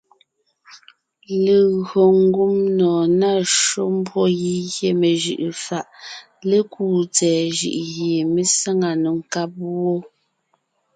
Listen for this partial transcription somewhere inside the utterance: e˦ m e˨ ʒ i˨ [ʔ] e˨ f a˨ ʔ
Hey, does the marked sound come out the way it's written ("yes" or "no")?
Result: yes